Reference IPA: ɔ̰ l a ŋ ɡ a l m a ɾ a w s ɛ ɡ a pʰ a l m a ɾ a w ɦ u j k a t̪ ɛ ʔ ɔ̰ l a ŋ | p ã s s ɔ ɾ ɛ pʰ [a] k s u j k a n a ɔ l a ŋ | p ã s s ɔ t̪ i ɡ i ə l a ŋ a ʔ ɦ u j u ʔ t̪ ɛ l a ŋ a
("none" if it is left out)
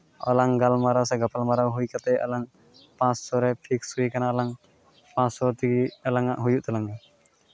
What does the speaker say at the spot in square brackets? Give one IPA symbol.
i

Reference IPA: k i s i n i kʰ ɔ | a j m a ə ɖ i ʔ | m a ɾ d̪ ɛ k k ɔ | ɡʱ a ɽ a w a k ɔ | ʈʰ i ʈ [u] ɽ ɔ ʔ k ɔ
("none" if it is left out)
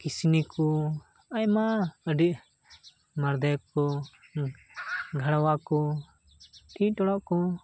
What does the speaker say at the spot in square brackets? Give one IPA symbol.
ɔ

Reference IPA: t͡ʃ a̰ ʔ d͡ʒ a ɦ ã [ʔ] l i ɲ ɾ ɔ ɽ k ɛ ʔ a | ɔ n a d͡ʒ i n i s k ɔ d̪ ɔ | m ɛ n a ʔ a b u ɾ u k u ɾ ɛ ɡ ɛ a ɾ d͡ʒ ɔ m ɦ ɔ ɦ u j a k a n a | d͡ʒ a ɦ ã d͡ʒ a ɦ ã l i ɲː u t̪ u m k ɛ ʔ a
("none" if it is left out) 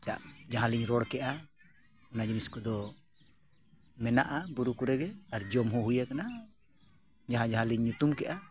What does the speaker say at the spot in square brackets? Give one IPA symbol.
none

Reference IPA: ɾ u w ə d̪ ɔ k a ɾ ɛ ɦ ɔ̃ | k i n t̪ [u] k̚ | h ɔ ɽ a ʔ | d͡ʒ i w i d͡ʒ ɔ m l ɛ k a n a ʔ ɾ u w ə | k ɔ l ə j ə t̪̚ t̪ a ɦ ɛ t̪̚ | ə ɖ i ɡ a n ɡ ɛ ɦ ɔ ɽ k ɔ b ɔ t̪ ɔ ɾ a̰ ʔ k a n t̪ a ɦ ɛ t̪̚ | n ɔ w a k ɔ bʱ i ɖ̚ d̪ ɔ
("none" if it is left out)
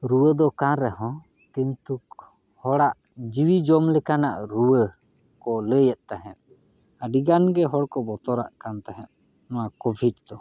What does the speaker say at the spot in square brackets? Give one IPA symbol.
u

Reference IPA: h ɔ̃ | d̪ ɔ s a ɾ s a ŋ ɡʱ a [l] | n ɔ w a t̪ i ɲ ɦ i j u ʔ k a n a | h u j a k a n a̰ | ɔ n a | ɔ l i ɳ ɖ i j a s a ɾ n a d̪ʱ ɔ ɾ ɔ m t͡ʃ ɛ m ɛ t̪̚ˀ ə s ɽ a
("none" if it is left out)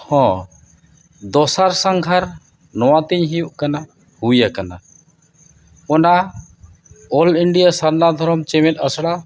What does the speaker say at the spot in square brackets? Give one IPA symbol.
ɾ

